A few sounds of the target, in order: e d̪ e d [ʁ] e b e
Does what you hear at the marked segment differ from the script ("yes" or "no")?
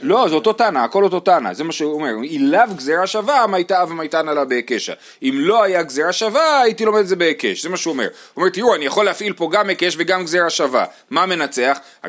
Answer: yes